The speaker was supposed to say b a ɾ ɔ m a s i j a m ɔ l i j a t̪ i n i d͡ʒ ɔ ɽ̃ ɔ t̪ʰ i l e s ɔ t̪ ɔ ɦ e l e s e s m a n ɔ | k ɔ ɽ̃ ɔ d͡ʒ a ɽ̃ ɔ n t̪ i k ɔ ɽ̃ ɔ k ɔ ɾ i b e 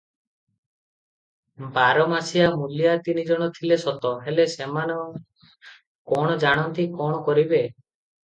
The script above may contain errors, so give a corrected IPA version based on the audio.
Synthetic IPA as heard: b a ɾ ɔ m a s i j a m u l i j a t̪ i n i d͡ʒ ɔ ɽ̃ ɔ t̪ʰ i l e s ɔ t̪ ɔ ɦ e l e s e m a n ɔ | k ɔ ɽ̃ ɔ d͡ʒ a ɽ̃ ɔ n t̪ i k ɔ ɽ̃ ɔ k ɔ ɾ i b e